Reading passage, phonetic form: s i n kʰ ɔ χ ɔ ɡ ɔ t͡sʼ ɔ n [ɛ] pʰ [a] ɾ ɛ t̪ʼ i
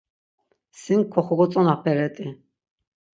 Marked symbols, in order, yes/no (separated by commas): no, no